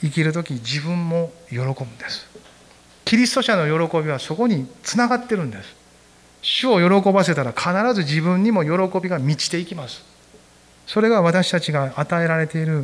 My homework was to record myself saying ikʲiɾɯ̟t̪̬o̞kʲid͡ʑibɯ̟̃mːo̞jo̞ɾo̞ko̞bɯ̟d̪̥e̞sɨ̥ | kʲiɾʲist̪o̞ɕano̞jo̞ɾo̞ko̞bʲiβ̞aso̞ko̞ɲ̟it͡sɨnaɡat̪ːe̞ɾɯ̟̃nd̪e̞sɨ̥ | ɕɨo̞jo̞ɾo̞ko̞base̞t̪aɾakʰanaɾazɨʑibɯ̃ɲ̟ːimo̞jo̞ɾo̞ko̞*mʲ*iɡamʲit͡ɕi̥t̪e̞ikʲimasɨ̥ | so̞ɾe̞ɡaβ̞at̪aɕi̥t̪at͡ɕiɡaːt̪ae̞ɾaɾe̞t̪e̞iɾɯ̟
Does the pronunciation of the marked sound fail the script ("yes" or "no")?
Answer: yes